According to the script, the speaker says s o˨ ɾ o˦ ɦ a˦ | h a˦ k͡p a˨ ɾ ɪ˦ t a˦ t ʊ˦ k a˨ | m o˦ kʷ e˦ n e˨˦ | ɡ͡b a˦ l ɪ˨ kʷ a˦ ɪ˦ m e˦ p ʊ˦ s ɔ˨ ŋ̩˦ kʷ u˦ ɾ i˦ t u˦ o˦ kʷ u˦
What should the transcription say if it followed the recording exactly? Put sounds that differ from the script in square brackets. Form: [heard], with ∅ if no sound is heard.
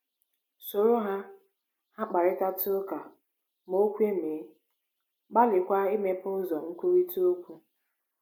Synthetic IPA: s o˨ ɾ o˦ ɦ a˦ | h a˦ k͡p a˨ ɾ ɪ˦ t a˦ t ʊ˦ k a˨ | m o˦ kʷ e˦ [m] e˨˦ | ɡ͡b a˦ l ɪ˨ kʷ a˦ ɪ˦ m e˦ p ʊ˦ [z] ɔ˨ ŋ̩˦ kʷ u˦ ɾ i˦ t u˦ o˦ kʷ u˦